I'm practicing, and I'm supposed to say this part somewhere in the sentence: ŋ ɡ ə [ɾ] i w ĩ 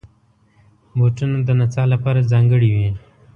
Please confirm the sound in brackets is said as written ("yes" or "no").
no